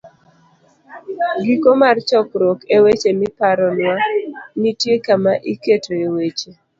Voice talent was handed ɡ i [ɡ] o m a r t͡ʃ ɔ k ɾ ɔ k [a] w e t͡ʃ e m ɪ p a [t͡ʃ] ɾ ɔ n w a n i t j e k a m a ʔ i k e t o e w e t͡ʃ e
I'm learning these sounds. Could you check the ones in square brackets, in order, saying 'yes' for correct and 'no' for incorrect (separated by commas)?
no, no, no